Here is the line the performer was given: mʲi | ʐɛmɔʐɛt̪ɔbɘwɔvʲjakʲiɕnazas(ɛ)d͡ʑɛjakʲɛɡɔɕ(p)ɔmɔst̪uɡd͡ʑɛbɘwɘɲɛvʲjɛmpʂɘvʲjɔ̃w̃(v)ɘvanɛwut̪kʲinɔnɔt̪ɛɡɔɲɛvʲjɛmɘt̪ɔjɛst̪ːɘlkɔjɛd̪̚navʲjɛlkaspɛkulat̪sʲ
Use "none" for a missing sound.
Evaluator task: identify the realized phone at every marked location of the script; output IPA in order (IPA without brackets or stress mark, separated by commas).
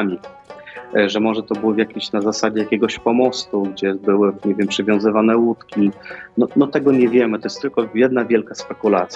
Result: a, p, z